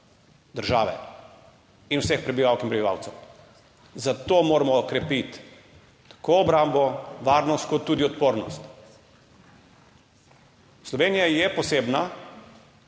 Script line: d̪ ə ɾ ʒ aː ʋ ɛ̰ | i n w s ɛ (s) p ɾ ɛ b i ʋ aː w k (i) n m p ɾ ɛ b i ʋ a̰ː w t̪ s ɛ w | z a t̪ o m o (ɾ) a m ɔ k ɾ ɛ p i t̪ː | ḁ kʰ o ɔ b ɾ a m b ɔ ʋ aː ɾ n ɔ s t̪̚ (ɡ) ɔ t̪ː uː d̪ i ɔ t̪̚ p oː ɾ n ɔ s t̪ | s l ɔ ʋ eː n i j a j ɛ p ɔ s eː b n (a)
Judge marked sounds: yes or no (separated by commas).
no, yes, yes, no, yes